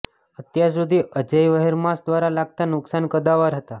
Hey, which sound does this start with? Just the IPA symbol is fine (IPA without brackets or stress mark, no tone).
ə